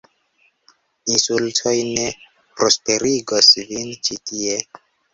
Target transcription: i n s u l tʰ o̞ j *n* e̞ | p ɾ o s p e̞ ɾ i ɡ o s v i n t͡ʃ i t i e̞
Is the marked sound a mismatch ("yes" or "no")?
no